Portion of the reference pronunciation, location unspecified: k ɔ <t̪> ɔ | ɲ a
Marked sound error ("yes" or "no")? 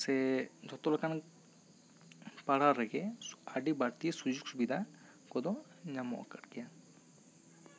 yes